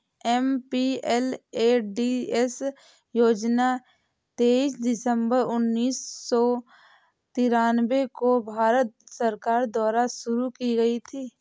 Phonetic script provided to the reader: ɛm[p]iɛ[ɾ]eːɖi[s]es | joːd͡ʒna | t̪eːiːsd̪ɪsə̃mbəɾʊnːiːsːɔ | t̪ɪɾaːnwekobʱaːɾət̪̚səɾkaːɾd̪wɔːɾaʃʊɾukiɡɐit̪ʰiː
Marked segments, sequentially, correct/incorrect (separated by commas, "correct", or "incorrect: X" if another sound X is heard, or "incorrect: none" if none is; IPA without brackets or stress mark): correct, incorrect: l, incorrect: none